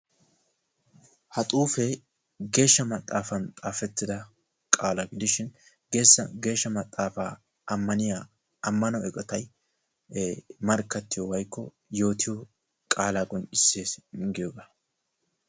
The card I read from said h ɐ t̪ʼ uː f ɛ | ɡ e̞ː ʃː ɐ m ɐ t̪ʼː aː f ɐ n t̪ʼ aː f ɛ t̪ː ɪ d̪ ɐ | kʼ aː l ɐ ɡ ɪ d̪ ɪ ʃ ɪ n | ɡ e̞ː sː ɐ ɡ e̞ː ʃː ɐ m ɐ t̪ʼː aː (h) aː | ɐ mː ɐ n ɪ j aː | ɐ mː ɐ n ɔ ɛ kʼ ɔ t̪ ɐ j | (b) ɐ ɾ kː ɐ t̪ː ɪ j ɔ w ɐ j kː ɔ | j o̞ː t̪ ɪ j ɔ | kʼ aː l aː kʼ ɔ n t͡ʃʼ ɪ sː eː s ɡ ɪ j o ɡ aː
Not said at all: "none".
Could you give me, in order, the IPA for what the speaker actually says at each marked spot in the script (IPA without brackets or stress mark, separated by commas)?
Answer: f, m